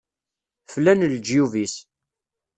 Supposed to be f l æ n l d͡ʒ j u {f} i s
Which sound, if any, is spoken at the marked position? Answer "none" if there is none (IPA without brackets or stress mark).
v